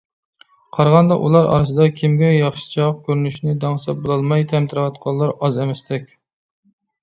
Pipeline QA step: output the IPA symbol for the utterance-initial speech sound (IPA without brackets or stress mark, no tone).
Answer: qʰ